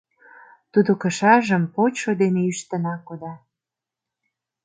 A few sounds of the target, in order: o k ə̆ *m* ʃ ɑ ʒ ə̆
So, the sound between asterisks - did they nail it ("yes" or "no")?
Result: no